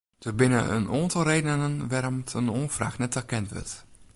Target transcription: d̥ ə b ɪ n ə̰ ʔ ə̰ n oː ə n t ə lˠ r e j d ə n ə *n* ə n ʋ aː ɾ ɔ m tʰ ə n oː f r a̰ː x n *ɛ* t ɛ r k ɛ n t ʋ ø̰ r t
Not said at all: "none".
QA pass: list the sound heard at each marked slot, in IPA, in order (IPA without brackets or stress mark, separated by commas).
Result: n, ɛ